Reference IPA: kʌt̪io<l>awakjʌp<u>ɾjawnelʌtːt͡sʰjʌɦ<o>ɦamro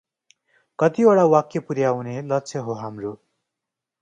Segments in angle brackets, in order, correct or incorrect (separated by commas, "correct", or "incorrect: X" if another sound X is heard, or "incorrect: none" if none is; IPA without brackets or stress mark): incorrect: ɽ, correct, correct